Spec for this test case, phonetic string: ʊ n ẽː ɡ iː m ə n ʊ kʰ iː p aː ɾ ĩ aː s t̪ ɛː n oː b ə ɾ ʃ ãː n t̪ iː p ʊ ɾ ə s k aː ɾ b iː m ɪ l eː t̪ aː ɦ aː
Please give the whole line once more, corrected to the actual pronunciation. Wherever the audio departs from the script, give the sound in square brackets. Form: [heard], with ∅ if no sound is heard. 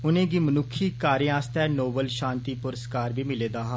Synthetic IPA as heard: ʊ n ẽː ɡ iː m ə n ʊ kʰ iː [k] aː ɾ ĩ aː s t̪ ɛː n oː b ə [l] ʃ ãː n t̪ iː p ʊ ɾ ə s k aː ɾ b iː m ɪ l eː [d̪] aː ɦ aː

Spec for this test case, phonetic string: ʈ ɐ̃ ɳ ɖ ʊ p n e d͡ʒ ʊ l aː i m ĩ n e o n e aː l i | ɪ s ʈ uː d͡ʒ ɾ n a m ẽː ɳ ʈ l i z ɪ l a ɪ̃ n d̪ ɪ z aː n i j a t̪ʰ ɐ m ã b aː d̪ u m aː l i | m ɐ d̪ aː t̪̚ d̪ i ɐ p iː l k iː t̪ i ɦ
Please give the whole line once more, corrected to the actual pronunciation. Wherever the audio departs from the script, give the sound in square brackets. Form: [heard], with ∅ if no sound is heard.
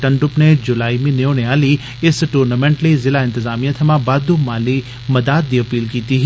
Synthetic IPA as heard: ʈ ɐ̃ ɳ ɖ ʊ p n e d͡ʒ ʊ l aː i m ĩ n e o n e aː l i | ɪ s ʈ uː [∅] ɾ n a m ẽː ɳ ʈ l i z ɪ l a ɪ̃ n [t̪] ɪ z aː [m] i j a t̪ʰ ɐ m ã b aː d̪ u m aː l i | m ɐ d̪ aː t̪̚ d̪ i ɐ p iː l k iː t̪ i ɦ

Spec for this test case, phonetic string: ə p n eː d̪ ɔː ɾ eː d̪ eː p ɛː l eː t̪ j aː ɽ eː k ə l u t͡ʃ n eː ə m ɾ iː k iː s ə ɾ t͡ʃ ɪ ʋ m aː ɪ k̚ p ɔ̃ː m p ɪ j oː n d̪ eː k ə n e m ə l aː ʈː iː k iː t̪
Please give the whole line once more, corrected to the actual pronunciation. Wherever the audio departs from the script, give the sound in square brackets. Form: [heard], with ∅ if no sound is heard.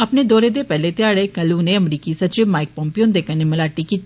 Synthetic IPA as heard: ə p n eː d̪ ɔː ɾ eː d̪ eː p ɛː l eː t̪ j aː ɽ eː k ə l u [∅] n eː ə m ɾ iː k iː s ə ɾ t͡ʃ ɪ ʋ m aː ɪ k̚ p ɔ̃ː m p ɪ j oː n d̪ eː k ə n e m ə l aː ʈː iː k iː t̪

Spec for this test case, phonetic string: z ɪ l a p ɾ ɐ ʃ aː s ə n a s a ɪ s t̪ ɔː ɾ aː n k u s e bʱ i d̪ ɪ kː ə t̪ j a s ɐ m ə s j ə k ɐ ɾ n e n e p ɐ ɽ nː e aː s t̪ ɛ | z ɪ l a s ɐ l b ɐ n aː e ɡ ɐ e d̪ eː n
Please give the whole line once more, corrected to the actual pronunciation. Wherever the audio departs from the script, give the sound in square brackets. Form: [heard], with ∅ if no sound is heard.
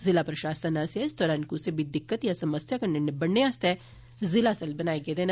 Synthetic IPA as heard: z ɪ l a p ɾ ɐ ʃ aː s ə n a s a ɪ s [d̪] ɔː ɾ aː n k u s e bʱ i d̪ ɪ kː ə t̪ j a s ɐ m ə s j [a] k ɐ ɾ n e n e [b] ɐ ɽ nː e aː s t̪ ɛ | z ɪ l a s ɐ l b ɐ n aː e ɡ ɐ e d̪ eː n

